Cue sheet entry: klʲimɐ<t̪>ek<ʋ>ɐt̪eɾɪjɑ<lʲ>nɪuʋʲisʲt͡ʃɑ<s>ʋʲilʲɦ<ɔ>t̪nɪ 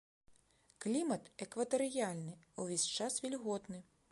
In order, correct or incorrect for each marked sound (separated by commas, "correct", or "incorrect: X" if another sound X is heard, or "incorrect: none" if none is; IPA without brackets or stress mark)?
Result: correct, correct, correct, correct, correct